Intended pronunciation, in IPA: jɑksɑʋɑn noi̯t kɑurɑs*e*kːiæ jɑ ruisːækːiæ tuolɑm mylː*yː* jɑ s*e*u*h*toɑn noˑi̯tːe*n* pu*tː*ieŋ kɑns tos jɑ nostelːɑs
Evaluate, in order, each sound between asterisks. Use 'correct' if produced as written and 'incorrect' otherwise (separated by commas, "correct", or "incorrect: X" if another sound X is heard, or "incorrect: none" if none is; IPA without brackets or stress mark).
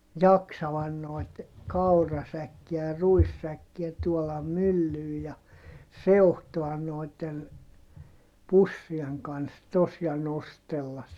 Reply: incorrect: æ, correct, correct, correct, correct, incorrect: sː